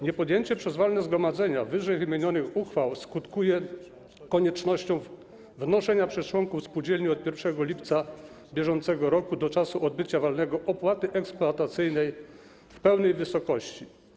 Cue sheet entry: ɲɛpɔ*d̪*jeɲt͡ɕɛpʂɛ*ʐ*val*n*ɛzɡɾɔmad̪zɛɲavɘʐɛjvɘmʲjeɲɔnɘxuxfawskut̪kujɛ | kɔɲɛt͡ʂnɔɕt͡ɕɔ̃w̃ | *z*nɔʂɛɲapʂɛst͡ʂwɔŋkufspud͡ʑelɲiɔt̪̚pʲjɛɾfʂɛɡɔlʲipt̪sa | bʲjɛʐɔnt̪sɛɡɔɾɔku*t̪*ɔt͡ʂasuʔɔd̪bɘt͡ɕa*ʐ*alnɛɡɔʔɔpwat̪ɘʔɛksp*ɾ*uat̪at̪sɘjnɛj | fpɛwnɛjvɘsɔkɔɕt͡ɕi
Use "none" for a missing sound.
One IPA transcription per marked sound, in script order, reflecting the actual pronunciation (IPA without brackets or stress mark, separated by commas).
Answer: d̪, z, n, v, d̪, v, l